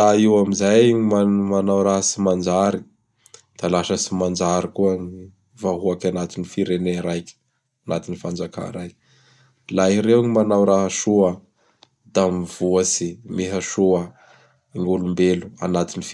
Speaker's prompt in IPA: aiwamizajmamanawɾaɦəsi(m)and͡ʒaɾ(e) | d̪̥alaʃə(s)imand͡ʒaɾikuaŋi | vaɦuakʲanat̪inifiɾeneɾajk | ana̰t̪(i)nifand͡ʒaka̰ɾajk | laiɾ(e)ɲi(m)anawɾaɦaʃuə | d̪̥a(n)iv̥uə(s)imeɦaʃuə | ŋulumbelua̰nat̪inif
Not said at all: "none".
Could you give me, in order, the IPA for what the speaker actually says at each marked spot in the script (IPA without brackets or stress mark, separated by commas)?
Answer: m, i, s, i, e, m, m, s